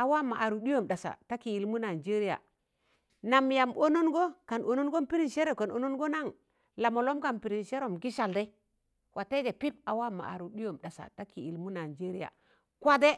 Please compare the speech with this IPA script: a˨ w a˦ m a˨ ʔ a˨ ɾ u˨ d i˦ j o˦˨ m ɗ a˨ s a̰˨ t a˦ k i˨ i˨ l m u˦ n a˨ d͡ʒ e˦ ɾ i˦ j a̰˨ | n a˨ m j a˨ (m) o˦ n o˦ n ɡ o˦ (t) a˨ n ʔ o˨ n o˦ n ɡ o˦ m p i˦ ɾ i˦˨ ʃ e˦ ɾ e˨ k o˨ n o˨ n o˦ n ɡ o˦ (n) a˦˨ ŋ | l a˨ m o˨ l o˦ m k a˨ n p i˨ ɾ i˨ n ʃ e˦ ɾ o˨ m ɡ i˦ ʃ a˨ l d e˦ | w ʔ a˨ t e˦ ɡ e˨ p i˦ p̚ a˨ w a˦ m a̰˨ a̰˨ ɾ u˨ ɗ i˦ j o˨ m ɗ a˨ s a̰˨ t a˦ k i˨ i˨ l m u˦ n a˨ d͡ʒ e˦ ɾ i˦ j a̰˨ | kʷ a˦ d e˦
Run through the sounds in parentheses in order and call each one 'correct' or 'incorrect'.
correct, incorrect: k, correct

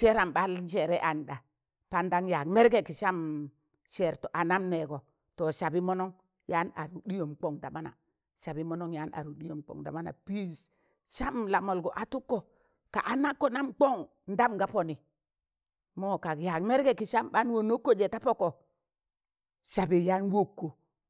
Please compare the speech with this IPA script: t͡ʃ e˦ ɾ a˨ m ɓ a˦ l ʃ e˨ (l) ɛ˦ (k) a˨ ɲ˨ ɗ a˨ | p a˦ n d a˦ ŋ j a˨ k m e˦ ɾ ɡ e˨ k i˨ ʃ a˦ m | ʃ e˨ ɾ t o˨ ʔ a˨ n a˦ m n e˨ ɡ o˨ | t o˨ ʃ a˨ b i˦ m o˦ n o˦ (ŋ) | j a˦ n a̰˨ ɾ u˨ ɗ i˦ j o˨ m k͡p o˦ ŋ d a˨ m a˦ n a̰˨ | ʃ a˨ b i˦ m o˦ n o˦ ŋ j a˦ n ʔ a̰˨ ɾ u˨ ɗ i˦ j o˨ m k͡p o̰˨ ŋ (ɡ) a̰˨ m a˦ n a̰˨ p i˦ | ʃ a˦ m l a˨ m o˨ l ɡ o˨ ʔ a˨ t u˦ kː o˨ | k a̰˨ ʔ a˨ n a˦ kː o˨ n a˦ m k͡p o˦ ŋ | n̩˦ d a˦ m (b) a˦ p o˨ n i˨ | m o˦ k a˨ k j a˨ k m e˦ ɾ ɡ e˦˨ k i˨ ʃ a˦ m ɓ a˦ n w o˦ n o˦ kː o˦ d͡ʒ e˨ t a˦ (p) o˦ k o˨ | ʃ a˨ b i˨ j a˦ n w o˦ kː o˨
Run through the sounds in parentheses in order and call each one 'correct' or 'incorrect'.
incorrect: ɾ, incorrect: ʔ, correct, incorrect: d, incorrect: ɡ, correct

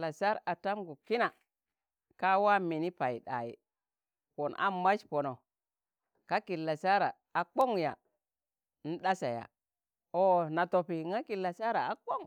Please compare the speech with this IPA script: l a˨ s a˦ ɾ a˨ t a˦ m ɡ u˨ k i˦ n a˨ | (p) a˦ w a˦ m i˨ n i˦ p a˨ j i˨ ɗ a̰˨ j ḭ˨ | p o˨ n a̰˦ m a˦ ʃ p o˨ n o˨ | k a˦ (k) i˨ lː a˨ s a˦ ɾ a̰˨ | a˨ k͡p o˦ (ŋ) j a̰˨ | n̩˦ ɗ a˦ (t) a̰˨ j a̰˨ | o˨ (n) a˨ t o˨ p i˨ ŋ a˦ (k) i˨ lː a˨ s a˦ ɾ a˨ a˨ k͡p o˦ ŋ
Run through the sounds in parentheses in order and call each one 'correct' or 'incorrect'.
incorrect: k, correct, correct, incorrect: s, correct, correct

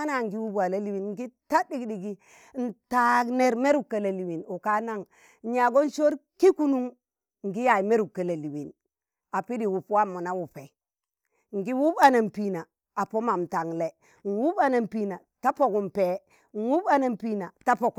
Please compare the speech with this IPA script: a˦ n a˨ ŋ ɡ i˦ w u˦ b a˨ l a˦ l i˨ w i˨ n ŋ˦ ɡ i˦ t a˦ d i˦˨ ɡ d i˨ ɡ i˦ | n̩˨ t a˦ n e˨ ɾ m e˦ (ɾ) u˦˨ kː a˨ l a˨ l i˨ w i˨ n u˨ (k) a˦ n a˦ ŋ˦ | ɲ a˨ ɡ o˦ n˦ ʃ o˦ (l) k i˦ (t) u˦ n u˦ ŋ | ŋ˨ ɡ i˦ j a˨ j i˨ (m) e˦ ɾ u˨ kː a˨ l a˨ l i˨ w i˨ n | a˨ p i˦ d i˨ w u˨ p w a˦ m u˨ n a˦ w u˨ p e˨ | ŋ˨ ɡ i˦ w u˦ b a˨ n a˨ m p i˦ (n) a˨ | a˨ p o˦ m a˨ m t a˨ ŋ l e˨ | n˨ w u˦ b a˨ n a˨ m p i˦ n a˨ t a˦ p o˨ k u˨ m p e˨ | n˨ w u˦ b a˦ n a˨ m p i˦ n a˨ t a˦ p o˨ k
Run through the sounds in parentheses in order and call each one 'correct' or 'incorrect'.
correct, correct, incorrect: ɾ, incorrect: k, correct, correct

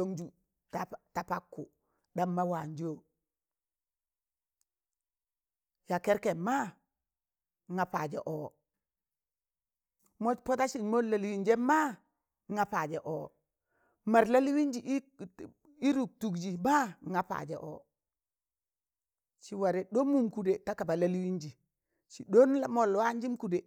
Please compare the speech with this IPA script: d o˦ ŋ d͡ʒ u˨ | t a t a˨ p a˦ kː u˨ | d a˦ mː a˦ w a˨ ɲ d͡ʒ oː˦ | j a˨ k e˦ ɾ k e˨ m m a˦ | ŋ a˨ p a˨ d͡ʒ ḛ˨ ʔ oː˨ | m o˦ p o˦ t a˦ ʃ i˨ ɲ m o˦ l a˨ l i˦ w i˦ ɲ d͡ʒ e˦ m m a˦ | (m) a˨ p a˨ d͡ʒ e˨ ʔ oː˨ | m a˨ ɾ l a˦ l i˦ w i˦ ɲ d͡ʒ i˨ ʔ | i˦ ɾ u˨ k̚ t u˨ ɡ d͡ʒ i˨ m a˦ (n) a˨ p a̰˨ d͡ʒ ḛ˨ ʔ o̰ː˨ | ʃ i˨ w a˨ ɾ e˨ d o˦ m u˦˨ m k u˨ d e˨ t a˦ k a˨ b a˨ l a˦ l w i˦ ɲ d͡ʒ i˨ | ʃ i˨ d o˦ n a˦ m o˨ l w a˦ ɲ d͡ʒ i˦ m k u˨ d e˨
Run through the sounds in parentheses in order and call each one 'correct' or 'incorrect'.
incorrect: ŋ, incorrect: ŋ

